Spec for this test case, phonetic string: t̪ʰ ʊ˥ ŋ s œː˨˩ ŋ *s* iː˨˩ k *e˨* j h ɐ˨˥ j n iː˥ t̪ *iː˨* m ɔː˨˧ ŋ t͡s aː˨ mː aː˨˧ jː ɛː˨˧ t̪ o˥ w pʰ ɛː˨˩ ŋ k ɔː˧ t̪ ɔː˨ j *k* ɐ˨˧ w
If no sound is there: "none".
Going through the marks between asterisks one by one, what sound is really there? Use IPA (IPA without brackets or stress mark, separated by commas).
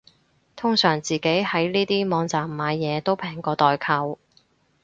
t͡s, e˨˥, iː˥, kʰ